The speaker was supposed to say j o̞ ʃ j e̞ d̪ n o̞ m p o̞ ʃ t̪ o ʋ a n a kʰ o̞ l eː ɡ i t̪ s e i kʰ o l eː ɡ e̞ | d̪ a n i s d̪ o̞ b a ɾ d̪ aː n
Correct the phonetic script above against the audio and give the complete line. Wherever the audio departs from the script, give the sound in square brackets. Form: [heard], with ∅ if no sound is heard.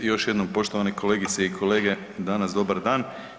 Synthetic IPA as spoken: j o̞ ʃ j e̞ d̪ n o̞ m p o̞ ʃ t̪ o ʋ a n [e] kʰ o̞ l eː ɡ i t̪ s e i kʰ o l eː ɡ e̞ | d̪ a n [a] s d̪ o̞ b a ɾ d̪ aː n

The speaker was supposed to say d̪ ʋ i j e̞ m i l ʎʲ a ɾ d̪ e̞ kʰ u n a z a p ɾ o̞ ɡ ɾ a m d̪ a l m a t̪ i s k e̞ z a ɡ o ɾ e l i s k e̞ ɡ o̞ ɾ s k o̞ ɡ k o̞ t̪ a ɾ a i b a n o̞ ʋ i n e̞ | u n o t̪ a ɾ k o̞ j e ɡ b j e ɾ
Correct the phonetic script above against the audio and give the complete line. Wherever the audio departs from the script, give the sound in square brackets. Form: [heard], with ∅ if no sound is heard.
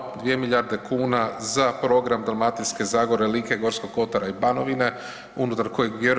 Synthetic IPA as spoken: d̪ ʋ i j e̞ m i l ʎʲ a ɾ d̪ e̞ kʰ [uː] n a z a p ɾ o̞ ɡ ɾ a m d̪ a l m a t̪ i s k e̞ z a ɡ o ɾ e l i [∅] k e̞ ɡ o̞ ɾ s k o̞ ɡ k o̞ t̪ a ɾ a i b a n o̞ ʋ i n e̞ | u n [u] t̪ a ɾ k o̞ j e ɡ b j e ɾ

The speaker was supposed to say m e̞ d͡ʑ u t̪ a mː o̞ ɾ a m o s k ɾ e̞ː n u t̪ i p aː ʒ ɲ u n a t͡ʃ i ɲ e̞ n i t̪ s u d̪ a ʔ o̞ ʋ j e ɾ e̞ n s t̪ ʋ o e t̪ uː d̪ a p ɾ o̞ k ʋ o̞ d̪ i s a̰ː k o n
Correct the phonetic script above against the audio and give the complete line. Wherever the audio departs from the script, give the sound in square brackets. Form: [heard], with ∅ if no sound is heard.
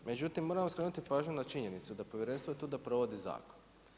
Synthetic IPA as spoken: m e̞ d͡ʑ u t̪ [i] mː o̞ ɾ a m o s k ɾ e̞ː n u t̪ i p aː ʒ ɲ u n a t͡ʃ i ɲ e̞ n i t̪ s u d̪ a [p] o̞ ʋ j e ɾ e̞ n s t̪ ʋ o e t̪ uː d̪ a p ɾ o̞ [∅] ʋ o̞ d̪ i [z] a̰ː k o n

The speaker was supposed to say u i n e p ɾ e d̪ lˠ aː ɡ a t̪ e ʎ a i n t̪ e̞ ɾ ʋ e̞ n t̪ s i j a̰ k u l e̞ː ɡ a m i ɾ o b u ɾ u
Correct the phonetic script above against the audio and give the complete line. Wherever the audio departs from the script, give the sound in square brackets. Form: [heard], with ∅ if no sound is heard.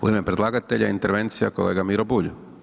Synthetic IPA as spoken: u i [m] e p ɾ e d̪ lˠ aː ɡ a t̪ e ʎ a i n t̪ e̞ ɾ ʋ e̞ n t̪ s i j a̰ k [o] l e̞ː ɡ a m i ɾ o b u [ʎ] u

